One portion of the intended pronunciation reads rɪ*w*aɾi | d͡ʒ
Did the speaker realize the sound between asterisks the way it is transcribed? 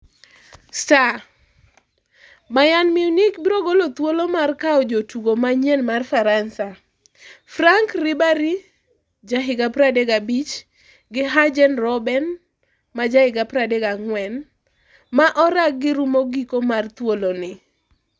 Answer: no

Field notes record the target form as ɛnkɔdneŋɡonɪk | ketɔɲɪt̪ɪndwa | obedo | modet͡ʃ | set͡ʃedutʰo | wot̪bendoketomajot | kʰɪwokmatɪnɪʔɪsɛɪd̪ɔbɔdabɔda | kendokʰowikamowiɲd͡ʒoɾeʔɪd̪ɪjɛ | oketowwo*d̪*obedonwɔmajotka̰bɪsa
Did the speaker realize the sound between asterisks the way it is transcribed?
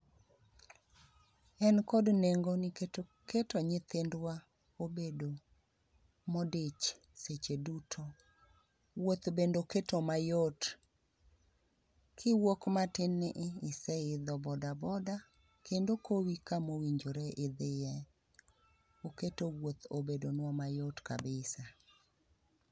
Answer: no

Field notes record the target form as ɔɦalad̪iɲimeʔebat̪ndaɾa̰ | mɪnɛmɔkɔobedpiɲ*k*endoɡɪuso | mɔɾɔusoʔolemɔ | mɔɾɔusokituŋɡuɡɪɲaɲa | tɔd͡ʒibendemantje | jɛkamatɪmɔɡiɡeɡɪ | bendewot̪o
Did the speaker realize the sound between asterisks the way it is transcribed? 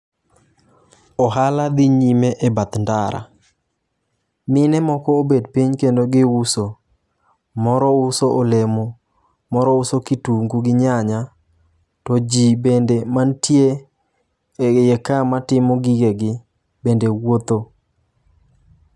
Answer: yes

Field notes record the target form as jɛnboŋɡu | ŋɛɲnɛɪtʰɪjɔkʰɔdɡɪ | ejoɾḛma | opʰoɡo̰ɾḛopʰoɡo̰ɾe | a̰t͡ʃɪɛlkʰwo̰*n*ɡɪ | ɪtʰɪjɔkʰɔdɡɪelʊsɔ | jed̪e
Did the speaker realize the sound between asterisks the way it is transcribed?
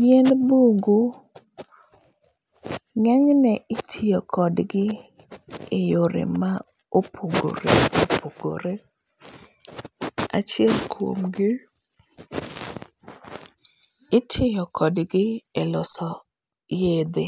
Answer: no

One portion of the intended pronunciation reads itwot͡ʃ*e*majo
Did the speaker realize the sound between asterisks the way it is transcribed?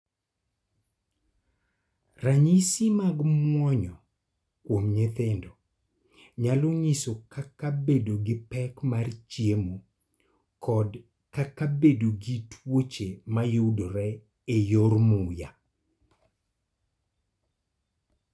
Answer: yes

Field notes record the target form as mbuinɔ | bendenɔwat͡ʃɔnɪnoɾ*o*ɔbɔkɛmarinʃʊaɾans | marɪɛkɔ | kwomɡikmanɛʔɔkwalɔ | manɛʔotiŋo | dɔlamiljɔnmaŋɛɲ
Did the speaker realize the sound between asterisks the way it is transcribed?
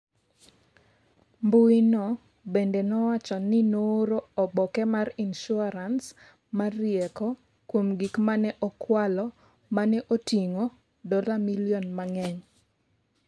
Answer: yes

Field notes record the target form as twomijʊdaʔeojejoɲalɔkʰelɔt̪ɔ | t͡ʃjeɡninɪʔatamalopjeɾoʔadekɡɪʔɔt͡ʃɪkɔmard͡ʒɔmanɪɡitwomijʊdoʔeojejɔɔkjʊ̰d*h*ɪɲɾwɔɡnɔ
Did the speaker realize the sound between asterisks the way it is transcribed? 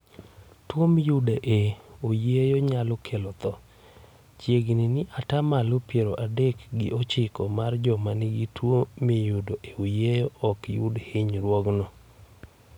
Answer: yes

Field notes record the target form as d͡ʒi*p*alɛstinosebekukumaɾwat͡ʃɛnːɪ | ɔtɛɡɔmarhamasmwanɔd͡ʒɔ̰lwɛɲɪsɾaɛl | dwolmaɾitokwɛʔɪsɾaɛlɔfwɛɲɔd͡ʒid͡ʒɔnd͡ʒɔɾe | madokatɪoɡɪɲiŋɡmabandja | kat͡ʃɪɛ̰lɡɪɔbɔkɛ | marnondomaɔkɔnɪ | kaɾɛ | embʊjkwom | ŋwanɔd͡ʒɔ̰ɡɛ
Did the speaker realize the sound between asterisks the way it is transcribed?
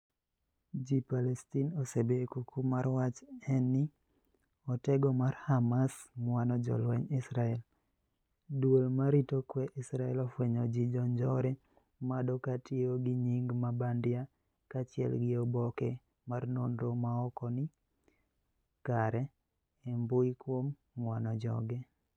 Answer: yes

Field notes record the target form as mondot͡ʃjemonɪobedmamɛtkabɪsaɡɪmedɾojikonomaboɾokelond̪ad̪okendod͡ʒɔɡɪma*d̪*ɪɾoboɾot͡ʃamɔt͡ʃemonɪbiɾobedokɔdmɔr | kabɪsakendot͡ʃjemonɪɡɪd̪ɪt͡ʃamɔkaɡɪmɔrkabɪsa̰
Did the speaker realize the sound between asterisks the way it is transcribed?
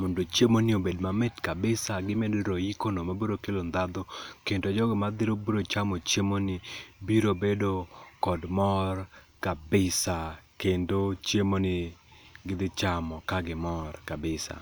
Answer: yes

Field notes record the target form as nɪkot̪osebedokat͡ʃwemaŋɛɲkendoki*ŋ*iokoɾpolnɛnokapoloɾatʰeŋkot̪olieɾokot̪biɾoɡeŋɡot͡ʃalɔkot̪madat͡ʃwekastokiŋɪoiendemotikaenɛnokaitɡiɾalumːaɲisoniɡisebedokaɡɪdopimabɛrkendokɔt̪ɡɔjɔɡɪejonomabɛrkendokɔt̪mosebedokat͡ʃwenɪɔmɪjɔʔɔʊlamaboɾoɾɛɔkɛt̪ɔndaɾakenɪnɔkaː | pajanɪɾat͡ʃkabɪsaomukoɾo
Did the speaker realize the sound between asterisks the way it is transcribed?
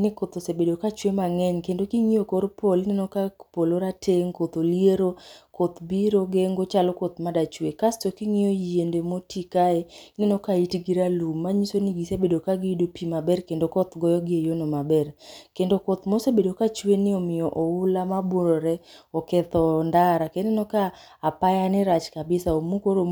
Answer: yes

